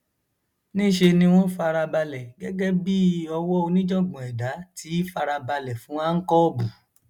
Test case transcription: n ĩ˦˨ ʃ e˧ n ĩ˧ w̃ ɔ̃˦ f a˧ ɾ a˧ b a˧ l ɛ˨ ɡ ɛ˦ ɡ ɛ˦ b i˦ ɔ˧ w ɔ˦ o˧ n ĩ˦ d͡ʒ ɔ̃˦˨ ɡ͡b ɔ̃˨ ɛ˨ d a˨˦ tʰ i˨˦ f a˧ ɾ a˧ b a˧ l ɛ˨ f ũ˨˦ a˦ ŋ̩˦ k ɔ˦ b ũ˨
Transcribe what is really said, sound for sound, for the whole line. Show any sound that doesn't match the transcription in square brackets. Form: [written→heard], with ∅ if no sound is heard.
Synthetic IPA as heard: n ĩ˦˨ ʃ e˧ n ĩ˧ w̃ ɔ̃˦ f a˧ ɾ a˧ b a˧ l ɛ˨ ɡ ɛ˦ ɡ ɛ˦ b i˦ ɔ˧ w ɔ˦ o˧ n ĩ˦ d͡ʒ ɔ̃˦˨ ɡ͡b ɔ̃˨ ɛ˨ d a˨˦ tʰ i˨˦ f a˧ ɾ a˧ b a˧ l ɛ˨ f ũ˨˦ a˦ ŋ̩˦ k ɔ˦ b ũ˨